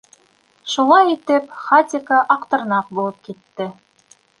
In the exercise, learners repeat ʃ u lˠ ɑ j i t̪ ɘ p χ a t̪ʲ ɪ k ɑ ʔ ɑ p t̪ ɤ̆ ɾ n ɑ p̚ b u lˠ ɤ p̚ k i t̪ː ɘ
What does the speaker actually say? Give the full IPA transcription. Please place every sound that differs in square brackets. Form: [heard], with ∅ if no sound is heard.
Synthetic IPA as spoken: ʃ u lˠ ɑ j i t̪ ɘ p χ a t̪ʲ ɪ k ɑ ʔ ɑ [q] t̪ ɤ̆ ɾ n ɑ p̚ b u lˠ ɤ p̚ k i t̪ː ɘ